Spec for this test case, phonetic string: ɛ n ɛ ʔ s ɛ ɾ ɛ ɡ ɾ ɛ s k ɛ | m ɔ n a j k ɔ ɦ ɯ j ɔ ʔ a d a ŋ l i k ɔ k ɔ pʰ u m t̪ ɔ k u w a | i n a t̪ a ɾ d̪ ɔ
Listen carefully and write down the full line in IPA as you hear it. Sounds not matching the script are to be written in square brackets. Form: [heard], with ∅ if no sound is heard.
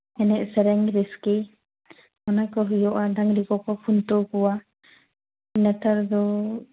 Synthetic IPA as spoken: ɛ n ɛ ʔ s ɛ ɾ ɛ [ŋ] ɾ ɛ s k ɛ | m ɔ n a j k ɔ ɦ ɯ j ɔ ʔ a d a ŋ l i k ɔ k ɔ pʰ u [n] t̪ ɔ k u w a | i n a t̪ a ɾ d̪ ɔ